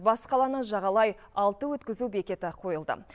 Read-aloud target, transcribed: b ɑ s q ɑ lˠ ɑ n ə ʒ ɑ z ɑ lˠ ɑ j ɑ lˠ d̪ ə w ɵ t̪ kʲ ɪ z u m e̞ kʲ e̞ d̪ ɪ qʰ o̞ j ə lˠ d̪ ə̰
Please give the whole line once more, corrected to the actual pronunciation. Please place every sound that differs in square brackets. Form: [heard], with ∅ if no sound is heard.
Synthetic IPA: b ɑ s q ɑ lˠ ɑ n ə ʒ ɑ [ʁ] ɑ lˠ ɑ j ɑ lˠ [t̪] ə w ɵ t̪ kʲ ɪ z u [b] e̞ kʲ e̞ [t̪] ɪ qʰ o̞ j ə lˠ d̪ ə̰

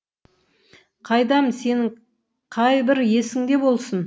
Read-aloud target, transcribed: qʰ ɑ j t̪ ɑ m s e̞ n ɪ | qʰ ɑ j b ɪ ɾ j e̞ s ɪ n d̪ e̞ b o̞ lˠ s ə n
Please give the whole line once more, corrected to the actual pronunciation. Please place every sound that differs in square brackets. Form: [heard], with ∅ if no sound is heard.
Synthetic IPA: qʰ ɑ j [d̪] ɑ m s e̞ n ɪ | qʰ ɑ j b ɪ ɾ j e̞ s ɪ [ŋ] d̪ e̞ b o̞ lˠ s ə n

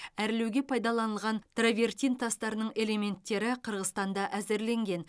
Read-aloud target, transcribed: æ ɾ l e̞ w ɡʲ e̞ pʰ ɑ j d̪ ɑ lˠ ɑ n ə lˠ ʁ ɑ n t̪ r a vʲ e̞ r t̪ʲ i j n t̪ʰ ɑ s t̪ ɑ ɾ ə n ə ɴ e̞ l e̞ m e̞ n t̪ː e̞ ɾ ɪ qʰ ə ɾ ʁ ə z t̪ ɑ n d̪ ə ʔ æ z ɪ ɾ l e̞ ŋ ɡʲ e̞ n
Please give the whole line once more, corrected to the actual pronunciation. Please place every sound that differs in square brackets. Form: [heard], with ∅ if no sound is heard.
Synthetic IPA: æ ɾ l e̞ w ɡʲ e̞ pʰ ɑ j d̪ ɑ lˠ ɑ n ə lˠ ʁ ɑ n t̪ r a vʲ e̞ r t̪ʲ i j n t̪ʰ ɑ s t̪ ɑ ɾ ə n ə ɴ e̞ l e̞ m e̞ n t̪ː e̞ ɾ ɪ qʰ ə ɾ ʁ ə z t̪ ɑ n d̪ [ɑ] ʔ æ z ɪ ɾ l e̞ ŋ ɡʲ e̞ n

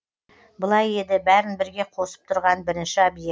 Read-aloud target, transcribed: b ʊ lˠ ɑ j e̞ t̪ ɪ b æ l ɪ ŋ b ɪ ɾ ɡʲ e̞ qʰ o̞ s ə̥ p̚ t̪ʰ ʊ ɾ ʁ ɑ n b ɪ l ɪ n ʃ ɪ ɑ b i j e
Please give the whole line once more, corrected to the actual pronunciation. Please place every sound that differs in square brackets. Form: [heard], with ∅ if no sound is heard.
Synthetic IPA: b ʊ lˠ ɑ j e̞ [d̪] ɪ b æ [ɾ] ɪ [n] b ɪ ɾ ɡʲ e̞ qʰ o̞ s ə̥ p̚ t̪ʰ ʊ ɾ ʁ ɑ n b ɪ [ɾ] ɪ n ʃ ɪ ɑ b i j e

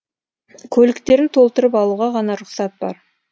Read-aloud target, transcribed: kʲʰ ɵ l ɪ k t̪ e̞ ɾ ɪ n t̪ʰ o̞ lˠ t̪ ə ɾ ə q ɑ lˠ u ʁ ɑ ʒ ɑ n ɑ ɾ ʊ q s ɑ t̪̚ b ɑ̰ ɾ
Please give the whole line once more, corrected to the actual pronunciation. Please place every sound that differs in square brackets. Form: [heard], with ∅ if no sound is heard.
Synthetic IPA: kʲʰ ɵ l ɪ k t̪ e̞ ɾ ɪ n t̪ʰ o̞ lˠ t̪ ə ɾ ə [p] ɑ lˠ u ʁ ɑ [ʁ] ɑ n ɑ ɾ ʊ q s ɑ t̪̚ b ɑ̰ ɾ

